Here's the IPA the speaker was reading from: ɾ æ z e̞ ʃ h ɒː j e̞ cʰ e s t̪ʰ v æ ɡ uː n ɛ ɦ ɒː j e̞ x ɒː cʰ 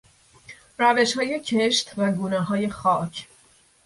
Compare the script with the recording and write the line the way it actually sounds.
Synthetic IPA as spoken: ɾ æ v e̞ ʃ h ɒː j e̞ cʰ e ʃ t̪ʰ v æ ɡ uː n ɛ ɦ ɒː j e̞ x ɒː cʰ